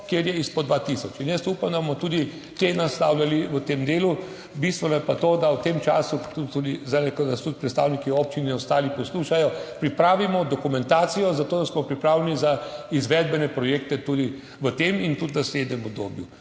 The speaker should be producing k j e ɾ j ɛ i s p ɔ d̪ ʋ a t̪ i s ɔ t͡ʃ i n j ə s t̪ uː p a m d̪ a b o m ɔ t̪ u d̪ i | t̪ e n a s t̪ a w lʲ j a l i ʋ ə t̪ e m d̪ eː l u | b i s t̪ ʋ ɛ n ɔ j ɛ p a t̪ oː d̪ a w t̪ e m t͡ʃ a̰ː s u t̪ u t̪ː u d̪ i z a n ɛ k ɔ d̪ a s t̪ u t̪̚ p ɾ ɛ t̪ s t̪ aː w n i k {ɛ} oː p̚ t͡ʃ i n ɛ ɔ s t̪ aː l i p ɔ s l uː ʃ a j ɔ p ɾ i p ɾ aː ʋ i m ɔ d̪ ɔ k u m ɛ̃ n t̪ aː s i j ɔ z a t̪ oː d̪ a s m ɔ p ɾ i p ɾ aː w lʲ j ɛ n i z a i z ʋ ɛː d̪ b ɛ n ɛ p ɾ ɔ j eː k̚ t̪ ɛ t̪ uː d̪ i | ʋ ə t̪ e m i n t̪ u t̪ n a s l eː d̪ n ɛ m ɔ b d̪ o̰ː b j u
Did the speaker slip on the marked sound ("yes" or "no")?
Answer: yes